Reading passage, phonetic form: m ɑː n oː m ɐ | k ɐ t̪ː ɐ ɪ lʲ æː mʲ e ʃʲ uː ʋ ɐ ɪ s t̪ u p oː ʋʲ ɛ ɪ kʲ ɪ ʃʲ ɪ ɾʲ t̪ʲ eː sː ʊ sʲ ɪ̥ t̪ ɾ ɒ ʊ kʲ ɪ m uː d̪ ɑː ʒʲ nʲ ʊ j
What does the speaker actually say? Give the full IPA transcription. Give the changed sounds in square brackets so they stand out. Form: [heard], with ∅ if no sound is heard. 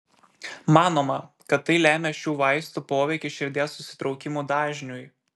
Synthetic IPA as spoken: m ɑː n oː m ɐ | k ɐ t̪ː ɐ ɪ lʲ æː mʲ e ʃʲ uː ʋ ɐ ɪ s t̪ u p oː ʋʲ ɛ ɪ kʲ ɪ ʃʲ ɪ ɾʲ [d̪ʲ] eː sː ʊ sʲ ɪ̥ t̪ ɾ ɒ ʊ kʲ ɪ m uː d̪ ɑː ʒʲ nʲ ʊ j